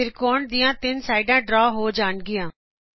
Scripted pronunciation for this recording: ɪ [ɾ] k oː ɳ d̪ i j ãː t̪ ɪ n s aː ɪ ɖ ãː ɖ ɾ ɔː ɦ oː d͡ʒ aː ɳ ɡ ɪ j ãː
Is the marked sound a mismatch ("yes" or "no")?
no